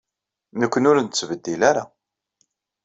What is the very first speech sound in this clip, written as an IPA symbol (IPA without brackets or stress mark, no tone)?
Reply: n